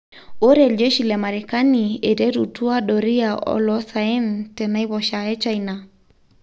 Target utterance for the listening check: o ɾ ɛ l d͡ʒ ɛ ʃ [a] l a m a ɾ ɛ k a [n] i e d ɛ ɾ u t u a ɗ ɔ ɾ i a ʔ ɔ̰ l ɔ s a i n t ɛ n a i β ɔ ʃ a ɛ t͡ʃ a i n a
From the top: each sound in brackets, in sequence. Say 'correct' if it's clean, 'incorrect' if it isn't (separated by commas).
incorrect, correct